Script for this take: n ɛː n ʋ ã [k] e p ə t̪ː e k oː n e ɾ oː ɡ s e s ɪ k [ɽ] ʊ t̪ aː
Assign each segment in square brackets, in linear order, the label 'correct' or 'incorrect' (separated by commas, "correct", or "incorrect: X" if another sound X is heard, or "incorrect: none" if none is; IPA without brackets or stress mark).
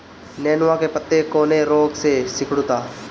correct, correct